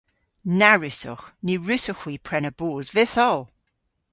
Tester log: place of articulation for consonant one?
alveolar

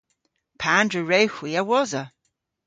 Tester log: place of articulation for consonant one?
labial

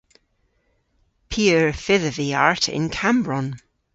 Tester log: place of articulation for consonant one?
labial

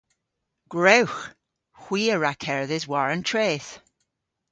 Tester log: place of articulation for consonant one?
velar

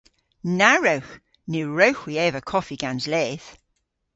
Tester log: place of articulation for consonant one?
alveolar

